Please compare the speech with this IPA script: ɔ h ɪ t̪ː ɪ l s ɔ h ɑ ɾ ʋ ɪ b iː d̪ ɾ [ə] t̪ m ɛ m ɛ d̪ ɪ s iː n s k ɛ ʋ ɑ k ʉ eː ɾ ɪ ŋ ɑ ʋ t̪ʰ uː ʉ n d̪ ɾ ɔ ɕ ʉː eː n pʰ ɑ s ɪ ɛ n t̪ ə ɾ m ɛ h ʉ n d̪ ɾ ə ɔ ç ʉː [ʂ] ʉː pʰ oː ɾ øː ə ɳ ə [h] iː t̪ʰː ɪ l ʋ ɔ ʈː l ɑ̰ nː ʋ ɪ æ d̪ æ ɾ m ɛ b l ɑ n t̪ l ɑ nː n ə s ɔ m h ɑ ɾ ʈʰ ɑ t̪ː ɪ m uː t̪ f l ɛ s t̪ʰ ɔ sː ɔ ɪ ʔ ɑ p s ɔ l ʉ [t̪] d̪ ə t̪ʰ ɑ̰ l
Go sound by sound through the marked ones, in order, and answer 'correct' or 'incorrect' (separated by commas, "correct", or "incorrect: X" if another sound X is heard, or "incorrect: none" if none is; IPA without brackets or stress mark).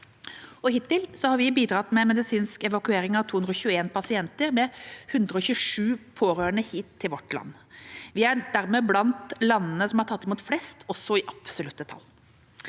incorrect: ɑ, correct, correct, correct